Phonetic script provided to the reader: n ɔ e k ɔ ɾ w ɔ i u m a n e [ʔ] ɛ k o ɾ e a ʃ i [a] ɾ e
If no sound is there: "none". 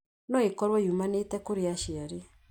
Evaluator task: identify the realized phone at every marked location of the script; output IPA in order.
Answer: t, a

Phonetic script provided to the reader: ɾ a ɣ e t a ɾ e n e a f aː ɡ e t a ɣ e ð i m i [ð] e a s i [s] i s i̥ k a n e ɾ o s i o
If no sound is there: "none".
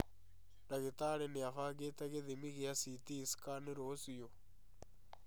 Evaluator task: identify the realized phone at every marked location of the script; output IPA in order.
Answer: ɣ, t

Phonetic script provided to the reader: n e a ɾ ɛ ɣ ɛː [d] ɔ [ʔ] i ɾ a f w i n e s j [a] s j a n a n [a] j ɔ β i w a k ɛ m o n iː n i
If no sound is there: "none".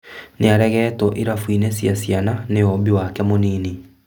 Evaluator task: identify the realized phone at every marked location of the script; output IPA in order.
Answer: t, ʔ, a, e

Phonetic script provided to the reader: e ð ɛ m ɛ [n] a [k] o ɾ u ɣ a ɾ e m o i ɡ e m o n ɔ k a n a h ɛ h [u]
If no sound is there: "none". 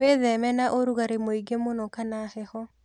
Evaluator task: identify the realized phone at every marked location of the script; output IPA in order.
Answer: n, ʔ, ɔ

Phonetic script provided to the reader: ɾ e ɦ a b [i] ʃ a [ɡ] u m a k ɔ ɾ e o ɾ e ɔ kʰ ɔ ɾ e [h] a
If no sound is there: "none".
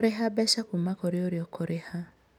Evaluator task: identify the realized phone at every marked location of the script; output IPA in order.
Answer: ɛ, k, h

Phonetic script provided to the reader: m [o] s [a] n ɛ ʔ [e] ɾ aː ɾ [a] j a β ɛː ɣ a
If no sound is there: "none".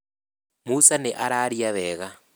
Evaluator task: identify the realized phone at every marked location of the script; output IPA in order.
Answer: u, a, a, i

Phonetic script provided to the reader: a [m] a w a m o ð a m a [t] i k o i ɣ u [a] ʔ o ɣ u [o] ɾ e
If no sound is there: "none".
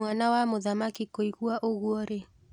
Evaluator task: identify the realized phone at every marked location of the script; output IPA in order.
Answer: n, k, a, ɔ

